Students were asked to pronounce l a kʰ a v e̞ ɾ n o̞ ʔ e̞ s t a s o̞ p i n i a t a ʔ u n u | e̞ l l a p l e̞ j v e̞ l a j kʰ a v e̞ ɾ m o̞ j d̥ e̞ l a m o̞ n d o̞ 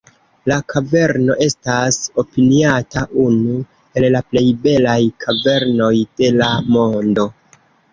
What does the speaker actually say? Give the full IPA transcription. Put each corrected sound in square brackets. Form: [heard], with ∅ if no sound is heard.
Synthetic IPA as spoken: l a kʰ a v e̞ ɾ n o̞ ʔ e̞ s t a s o̞ p i n i a t a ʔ u n u | e̞ l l a p l e̞ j [b] e̞ l a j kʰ a v e̞ ɾ [n] o̞ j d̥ e̞ l a m o̞ n d o̞